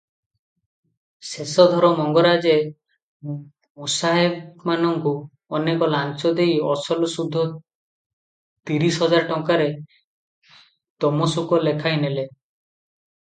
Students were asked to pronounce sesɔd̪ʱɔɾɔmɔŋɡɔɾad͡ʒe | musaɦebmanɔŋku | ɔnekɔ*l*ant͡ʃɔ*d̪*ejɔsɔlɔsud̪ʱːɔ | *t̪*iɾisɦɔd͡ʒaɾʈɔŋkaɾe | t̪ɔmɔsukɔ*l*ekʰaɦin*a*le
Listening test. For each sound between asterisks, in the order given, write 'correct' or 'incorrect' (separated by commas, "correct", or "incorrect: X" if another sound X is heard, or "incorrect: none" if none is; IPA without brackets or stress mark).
correct, correct, correct, correct, incorrect: e